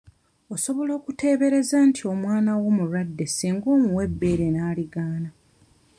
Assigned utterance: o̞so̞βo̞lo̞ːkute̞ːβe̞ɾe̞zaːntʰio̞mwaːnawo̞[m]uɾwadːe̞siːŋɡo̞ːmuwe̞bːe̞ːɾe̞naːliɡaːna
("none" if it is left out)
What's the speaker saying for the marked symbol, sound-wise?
m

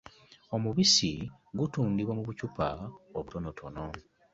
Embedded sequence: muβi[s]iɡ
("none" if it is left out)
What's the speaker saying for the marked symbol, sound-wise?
s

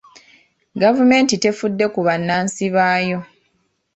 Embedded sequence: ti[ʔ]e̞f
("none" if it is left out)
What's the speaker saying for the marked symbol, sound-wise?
t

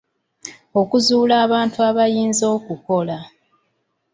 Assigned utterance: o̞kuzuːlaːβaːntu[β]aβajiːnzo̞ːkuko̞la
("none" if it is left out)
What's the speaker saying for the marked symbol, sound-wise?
none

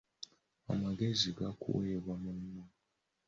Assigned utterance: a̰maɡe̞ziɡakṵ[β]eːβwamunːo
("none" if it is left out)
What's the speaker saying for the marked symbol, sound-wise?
w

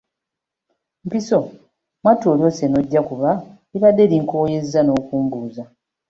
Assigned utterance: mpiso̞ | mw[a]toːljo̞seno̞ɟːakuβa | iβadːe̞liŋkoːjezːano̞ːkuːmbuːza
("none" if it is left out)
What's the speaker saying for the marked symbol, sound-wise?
a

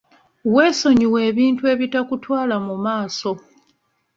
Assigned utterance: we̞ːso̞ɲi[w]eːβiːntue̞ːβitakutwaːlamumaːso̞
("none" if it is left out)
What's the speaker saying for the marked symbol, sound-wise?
w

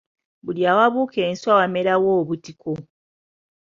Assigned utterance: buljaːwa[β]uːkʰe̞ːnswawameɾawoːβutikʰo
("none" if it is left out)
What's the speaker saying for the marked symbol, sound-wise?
β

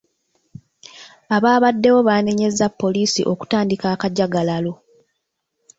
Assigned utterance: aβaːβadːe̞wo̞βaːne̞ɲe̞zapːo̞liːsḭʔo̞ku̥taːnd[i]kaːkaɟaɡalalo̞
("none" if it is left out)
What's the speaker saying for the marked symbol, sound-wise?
i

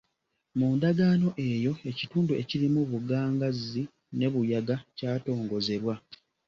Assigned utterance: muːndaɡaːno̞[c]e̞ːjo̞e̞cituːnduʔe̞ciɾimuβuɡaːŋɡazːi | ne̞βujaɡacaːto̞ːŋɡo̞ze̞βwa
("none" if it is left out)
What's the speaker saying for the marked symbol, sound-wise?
ʔ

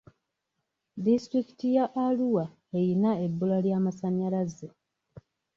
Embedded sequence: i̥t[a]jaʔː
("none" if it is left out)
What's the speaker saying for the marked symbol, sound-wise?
i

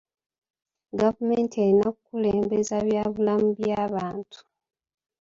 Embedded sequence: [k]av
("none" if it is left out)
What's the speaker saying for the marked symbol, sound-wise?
ɡ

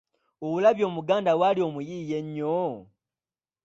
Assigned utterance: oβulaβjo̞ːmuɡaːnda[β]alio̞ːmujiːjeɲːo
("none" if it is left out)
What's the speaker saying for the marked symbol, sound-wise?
w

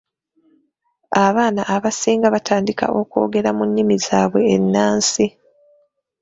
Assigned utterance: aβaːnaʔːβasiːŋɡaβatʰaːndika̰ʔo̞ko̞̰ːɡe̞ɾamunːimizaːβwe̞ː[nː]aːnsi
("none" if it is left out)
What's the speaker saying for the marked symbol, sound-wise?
nː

